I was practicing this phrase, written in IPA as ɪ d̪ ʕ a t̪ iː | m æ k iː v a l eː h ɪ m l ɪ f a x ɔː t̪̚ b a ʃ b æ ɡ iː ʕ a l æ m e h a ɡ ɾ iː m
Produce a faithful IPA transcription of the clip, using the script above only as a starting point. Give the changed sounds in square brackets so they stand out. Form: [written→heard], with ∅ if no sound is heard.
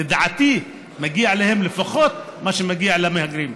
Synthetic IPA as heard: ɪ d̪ ʕ a t̪ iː | m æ [k→ɡ] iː [v→ʕ] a l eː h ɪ m l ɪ f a x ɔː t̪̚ [b→m] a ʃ [b→m] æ ɡ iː ʕ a l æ m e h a ɡ ɾ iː m